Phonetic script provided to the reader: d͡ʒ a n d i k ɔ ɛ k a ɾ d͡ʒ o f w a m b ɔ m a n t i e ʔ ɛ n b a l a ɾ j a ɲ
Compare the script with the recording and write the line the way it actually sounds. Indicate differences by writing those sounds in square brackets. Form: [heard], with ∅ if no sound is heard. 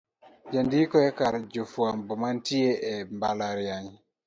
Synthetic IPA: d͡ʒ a n d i k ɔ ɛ k a ɾ d͡ʒ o f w a m b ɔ m a n t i e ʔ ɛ [m] b a l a ɾ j a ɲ